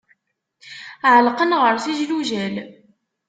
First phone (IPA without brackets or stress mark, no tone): ʕ